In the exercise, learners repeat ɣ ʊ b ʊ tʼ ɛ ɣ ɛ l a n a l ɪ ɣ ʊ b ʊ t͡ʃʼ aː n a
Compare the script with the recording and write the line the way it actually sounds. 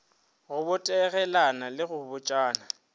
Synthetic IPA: ɣ ʊ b ʊ tʼ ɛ ɣ ɛ l a n a l ɪ ɣ ʊ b ʊ t͡ʃʼ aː n a